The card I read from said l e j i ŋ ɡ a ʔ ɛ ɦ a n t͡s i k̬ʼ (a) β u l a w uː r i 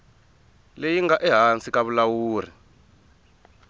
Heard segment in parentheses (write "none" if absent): a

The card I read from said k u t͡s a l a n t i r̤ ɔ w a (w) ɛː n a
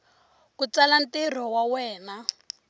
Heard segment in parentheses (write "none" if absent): w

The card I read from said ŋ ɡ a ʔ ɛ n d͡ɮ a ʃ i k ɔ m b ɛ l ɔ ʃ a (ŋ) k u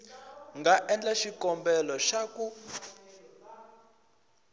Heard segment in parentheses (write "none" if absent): none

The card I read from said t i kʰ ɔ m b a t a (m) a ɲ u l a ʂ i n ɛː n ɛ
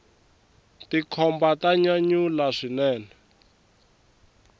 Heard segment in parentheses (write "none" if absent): ɲ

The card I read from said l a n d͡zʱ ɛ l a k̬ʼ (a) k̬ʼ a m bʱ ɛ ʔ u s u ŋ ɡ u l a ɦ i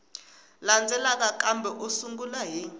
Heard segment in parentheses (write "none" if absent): a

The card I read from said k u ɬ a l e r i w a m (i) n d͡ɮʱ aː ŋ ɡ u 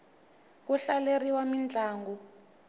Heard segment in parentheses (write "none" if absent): i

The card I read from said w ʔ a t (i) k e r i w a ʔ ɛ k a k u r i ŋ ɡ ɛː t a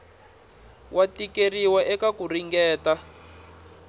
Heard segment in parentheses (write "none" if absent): i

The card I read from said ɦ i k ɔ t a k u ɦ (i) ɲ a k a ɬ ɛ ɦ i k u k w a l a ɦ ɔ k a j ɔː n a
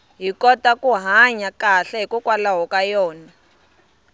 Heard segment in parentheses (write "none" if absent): a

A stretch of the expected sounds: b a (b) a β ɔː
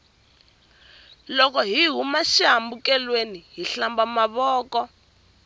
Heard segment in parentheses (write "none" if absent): m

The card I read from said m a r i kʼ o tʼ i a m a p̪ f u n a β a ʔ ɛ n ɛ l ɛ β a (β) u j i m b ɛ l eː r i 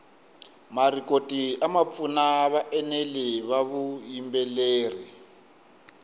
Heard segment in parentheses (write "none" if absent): β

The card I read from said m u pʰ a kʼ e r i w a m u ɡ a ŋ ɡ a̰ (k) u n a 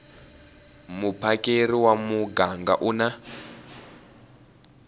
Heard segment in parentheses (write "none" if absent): ʔ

